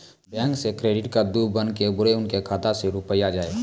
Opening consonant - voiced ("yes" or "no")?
yes